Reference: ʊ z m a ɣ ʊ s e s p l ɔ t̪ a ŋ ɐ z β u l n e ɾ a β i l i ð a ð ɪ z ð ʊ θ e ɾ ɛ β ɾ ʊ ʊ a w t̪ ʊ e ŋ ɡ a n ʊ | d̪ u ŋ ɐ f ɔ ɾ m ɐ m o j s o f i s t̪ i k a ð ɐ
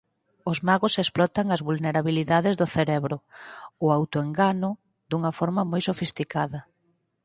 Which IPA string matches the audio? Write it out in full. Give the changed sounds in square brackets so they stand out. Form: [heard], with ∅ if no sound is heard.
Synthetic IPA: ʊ z m a ɣ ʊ s e s p l ɔ t̪ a ŋ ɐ z β u l n e ɾ a β i l i ð a ð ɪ z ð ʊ θ e ɾ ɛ β ɾ ʊ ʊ a w t̪ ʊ e ŋ ɡ a n ʊ | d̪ u ŋ ɐ f ɔ ɾ m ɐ m o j s o f i s t̪ i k a ð ɐ